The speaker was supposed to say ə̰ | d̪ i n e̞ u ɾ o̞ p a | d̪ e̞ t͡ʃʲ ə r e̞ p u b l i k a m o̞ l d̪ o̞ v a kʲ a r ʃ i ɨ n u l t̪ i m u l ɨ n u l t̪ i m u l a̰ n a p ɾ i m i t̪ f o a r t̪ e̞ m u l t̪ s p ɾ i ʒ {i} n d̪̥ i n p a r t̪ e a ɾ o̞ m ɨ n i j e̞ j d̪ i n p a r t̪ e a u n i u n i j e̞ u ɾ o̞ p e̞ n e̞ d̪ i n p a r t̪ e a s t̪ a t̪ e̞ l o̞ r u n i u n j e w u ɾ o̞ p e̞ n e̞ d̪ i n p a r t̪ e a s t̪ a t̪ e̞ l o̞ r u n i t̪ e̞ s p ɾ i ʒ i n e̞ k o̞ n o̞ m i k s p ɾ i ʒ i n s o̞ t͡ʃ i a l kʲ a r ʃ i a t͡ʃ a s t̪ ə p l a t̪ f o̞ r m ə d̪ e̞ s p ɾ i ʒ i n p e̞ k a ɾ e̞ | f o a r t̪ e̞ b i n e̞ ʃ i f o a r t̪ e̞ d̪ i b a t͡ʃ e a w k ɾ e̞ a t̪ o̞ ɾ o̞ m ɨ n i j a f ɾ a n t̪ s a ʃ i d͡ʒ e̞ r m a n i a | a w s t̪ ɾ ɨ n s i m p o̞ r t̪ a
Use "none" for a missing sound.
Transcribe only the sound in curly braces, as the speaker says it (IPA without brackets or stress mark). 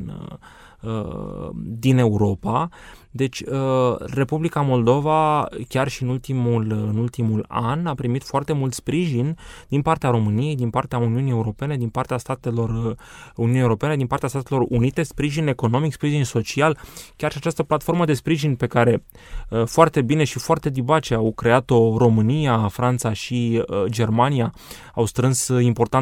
i